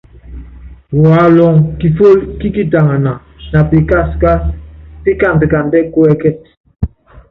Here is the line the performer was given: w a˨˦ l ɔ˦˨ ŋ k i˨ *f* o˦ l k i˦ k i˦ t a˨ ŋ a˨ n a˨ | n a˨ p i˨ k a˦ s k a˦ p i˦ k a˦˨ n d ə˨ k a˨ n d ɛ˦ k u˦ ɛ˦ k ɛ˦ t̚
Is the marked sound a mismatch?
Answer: no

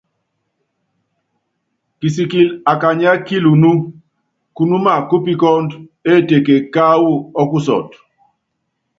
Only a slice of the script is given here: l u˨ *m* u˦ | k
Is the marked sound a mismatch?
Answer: yes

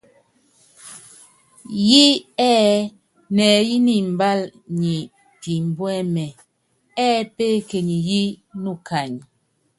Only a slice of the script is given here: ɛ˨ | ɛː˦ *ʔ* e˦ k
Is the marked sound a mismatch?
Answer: yes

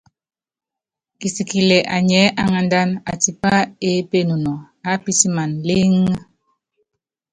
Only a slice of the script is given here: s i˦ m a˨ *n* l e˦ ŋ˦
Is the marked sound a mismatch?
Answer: no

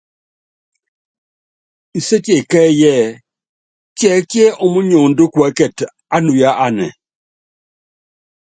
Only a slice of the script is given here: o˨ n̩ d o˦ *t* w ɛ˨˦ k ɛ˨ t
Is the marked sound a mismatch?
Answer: yes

